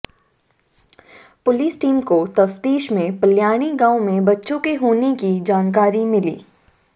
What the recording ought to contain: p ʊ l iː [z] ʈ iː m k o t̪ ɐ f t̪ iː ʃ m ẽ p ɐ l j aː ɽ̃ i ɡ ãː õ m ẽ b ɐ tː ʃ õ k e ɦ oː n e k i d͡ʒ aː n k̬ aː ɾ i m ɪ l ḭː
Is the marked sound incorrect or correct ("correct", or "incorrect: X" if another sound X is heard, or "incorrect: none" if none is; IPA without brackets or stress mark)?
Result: incorrect: s